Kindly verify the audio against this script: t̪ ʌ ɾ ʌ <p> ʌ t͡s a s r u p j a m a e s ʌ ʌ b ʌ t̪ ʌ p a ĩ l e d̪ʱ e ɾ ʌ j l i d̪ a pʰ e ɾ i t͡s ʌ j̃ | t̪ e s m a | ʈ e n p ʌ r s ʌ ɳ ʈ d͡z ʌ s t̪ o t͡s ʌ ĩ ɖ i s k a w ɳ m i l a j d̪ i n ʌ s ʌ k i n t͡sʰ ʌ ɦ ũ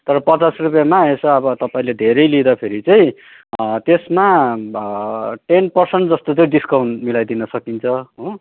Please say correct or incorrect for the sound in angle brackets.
correct